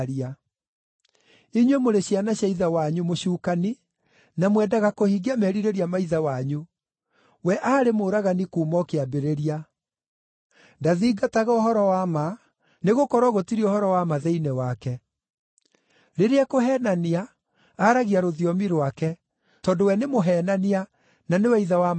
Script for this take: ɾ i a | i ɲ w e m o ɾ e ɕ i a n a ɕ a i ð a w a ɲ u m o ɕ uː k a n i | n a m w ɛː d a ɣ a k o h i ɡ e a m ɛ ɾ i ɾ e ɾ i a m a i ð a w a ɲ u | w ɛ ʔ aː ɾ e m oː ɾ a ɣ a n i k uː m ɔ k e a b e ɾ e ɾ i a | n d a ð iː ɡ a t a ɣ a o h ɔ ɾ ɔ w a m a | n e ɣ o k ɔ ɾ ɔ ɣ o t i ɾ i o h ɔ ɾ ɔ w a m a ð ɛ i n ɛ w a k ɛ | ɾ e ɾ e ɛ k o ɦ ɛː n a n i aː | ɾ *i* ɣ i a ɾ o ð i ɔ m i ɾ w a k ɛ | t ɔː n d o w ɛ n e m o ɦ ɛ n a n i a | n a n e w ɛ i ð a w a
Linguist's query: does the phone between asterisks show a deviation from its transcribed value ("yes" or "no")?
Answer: yes